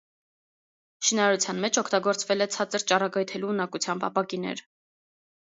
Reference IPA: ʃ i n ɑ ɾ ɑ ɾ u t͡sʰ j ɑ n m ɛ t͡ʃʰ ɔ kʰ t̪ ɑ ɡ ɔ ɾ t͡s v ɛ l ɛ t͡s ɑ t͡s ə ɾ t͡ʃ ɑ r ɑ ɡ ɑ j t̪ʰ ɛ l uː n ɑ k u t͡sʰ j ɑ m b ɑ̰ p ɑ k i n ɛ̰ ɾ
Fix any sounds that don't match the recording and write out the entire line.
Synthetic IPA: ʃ i n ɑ ɾ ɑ ɾ u t͡sʰ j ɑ n m ɛ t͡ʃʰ ɔ kʰ t̪ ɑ ɡ ɔ ɾ t͡s v ɛ l ɛ t͡sʰ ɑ t͡s ə ɾ t͡ʃ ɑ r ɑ ɡ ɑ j t̪ʰ ɛ l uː n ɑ k u t͡sʰ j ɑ m b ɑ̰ p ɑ k i n ɛ̰ ɾ